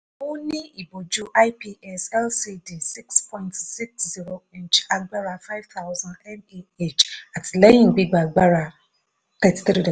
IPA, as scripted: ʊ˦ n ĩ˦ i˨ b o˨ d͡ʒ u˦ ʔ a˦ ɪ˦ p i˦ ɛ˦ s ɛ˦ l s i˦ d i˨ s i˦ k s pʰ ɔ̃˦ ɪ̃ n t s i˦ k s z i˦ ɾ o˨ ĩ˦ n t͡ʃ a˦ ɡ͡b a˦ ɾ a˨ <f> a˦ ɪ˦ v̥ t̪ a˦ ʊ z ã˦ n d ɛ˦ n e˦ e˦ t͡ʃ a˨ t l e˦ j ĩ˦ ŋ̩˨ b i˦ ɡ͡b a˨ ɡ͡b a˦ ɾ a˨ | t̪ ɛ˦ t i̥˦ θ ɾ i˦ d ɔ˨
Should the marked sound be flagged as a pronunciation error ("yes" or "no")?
no